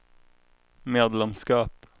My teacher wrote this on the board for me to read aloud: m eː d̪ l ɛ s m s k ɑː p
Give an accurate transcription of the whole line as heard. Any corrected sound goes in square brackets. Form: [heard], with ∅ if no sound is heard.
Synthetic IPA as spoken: m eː d̪ l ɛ [∅] m s k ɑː p